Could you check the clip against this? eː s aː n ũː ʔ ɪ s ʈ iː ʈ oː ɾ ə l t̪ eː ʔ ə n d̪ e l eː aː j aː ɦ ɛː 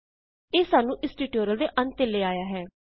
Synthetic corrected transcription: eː s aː n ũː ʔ ɪ s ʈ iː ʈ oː ɾ ə l d̪ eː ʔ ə n t̪ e l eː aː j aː ɦ ɛː

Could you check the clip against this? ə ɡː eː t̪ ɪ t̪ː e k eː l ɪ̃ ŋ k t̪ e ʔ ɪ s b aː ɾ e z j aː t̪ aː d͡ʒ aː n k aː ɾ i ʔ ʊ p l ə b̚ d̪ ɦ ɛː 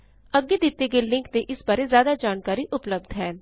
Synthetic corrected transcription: ə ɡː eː d̪ ɪ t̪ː e ɡ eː l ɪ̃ ŋ k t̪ e ʔ ɪ s b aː ɾ e z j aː d̪ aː d͡ʒ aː n k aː ɾ i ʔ ʊ p l ə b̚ d̪ ɦ ɛː

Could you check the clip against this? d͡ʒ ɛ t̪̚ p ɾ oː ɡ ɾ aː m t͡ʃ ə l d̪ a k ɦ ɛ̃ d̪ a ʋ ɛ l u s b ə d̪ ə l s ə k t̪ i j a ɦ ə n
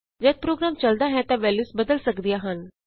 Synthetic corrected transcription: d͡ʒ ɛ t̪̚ p ɾ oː ɡ ɾ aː m t͡ʃ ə l d̪ a ɦ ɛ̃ t̪ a ʋ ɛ l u s b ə d̪ ə l s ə k d̪ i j a ɦ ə n

